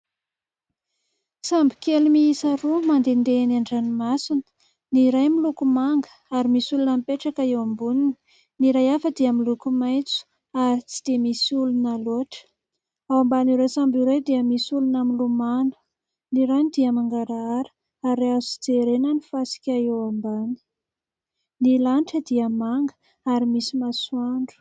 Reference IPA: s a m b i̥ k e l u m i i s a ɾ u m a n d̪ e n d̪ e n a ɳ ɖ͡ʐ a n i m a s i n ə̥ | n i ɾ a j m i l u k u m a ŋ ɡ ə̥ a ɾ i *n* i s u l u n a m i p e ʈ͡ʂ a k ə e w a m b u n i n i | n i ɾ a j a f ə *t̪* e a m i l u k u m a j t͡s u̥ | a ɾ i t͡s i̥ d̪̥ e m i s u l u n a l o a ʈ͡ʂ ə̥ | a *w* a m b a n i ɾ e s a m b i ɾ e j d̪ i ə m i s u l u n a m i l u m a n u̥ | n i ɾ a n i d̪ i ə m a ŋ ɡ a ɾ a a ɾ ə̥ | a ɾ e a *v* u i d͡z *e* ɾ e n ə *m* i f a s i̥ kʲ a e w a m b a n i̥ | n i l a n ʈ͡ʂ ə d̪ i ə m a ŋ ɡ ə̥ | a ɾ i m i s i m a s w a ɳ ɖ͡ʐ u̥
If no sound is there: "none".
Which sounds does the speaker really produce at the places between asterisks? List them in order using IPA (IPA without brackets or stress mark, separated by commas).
m, d̪, w, z, e, n